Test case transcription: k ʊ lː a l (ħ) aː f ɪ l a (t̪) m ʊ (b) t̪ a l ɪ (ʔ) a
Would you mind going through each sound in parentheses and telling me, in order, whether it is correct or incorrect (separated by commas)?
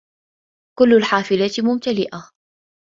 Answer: correct, correct, incorrect, correct